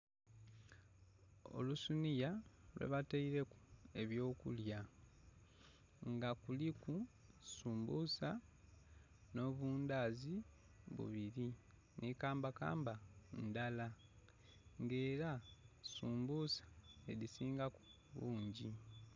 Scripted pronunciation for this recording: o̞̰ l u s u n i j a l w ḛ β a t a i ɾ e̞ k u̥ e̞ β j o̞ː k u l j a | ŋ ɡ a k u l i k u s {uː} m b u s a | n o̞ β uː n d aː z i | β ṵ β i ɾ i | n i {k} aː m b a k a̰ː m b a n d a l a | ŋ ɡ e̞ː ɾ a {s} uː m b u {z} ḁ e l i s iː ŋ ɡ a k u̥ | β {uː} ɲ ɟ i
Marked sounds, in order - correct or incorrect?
correct, correct, correct, incorrect, correct

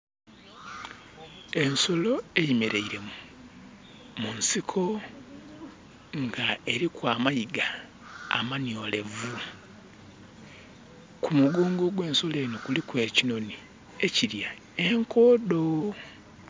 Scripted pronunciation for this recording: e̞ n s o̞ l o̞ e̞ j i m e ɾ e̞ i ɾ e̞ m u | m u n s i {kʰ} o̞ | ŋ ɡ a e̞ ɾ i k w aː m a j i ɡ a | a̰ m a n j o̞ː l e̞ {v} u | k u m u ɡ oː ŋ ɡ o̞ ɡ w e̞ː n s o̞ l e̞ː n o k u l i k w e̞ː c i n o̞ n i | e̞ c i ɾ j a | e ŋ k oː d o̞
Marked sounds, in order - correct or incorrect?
correct, correct

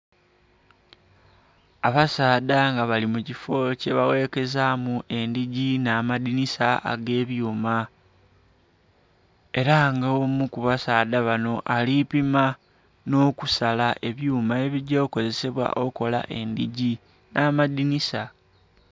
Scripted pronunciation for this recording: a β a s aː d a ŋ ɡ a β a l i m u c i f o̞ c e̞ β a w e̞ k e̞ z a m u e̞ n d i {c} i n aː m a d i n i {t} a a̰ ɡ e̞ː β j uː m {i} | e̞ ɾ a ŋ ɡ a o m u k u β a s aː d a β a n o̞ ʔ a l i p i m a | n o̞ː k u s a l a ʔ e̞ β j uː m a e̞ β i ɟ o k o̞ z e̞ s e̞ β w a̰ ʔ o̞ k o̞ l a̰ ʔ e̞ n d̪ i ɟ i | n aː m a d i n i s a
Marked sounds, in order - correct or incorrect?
incorrect, incorrect, incorrect

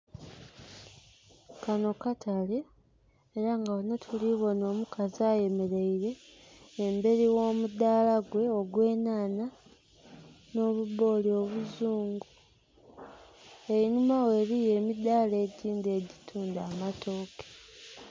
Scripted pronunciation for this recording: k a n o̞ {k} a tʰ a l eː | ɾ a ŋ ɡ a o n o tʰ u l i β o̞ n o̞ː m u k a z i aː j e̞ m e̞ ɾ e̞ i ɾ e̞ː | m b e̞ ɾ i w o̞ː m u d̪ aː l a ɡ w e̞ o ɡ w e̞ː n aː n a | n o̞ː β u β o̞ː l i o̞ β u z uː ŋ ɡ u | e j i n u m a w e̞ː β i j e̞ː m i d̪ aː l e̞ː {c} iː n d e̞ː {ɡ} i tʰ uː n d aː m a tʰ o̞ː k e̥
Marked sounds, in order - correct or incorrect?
correct, incorrect, incorrect

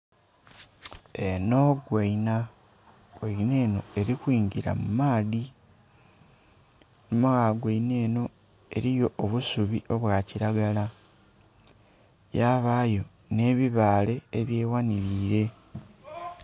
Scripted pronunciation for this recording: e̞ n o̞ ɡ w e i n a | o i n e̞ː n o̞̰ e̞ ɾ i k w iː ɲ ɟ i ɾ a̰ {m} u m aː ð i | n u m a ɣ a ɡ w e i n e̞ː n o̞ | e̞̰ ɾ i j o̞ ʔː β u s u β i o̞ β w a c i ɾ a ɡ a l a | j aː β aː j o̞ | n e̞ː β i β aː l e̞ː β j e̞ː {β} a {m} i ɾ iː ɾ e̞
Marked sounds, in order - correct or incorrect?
correct, incorrect, incorrect

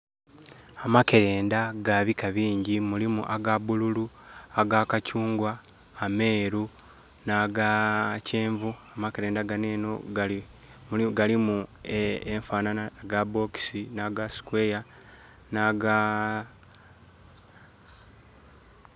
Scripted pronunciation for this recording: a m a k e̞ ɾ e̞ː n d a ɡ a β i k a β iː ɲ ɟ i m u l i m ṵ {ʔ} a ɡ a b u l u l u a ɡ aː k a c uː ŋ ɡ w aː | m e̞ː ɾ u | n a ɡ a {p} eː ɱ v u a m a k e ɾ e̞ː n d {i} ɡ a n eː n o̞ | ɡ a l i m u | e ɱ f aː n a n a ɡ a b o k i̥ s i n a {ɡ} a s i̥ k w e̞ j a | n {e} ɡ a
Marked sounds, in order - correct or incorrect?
correct, incorrect, incorrect, correct, incorrect

